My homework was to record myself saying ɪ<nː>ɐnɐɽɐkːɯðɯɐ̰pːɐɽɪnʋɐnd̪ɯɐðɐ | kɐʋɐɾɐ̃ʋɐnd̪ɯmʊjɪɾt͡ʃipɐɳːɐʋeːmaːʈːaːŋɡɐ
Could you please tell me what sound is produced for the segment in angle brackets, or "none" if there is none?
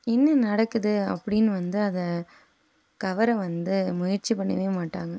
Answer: nː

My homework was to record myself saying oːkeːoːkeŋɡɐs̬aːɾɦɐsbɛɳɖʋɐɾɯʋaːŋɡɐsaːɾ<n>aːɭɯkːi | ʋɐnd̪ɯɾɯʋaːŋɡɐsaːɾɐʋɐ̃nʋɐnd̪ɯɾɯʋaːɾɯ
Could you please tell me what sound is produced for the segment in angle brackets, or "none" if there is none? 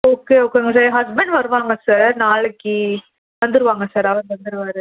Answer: n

